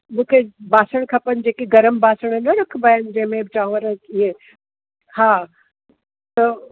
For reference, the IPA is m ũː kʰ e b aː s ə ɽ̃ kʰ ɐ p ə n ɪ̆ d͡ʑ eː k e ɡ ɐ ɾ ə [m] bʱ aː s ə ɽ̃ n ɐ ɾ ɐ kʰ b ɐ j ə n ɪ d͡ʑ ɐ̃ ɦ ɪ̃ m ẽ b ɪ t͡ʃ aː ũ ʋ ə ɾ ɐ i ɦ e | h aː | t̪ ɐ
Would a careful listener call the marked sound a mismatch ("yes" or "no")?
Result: no